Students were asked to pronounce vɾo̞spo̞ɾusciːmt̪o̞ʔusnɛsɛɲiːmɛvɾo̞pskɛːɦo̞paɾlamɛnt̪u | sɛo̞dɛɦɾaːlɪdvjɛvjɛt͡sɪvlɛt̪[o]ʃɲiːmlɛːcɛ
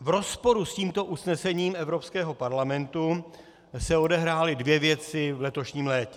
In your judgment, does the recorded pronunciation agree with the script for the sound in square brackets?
yes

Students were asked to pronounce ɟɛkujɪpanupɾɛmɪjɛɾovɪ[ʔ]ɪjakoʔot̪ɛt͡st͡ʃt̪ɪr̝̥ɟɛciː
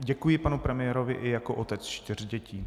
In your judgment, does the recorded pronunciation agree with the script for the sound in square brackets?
yes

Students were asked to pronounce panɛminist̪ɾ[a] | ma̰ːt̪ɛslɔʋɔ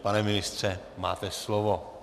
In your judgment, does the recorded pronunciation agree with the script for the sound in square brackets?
no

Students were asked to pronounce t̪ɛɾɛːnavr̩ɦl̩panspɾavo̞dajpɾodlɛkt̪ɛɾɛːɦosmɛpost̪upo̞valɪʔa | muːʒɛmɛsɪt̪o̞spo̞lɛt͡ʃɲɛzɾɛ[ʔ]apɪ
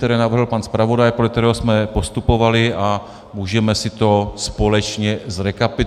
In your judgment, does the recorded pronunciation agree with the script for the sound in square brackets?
no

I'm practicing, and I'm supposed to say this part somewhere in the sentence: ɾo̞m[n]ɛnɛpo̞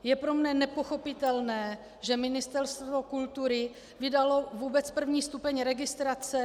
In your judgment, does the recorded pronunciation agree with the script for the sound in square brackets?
yes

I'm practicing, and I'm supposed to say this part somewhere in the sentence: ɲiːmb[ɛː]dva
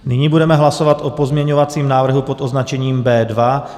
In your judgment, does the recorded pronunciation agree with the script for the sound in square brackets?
yes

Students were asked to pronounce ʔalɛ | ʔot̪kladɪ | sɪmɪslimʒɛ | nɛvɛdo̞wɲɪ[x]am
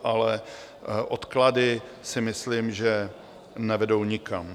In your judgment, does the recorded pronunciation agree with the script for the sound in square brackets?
no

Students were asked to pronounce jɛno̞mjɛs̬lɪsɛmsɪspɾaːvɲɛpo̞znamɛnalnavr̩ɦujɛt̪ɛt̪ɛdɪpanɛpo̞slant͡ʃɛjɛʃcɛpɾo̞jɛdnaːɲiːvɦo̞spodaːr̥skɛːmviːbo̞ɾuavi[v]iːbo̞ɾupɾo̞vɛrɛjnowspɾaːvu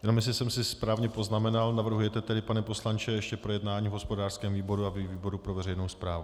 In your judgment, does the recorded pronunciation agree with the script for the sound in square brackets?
yes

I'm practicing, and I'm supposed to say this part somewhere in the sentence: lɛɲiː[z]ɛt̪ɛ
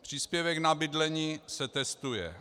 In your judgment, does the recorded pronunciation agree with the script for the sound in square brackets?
no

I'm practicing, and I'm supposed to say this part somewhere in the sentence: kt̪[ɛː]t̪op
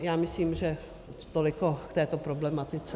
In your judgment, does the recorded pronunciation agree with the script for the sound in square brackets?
yes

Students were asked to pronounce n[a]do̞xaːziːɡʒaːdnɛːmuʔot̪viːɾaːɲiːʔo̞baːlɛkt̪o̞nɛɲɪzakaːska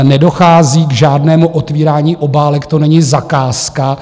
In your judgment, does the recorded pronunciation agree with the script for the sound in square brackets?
no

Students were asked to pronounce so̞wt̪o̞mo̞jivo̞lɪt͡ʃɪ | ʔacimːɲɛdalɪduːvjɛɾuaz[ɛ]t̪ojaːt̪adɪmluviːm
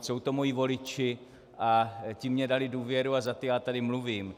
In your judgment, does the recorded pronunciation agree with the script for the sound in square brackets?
no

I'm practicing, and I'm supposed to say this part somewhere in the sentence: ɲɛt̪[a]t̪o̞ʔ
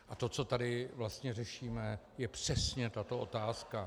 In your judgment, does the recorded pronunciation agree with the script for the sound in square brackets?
yes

